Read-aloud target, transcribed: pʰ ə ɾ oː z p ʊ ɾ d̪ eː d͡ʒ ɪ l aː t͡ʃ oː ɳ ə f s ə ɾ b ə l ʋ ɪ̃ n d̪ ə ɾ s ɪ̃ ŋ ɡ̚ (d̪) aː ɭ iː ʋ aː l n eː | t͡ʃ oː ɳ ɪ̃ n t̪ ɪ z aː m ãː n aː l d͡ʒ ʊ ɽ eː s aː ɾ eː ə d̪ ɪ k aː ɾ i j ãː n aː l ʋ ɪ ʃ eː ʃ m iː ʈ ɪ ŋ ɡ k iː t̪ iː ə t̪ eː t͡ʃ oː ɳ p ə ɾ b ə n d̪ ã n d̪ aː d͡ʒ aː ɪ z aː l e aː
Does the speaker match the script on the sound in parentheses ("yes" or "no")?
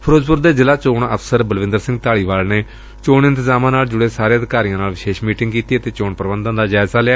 no